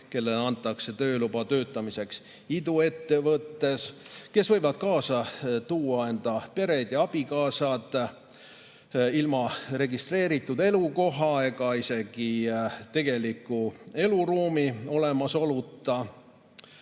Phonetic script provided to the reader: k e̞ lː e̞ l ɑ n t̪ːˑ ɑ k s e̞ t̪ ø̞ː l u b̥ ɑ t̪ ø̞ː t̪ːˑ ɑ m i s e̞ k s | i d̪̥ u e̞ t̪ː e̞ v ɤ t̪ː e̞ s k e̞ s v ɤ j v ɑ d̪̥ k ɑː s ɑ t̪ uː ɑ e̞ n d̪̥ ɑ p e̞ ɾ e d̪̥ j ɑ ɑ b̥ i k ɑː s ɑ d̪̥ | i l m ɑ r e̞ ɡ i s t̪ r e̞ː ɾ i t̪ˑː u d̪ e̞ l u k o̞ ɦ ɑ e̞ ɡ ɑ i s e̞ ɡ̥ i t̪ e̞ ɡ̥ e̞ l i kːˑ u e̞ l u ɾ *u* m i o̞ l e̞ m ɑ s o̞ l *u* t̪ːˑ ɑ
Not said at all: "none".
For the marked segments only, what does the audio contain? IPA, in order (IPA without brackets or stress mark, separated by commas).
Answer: uː, u